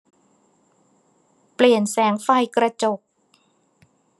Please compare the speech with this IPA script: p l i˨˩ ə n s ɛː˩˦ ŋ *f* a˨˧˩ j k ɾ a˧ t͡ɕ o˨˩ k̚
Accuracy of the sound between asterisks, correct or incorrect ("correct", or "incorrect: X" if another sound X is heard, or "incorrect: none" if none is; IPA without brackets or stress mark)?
correct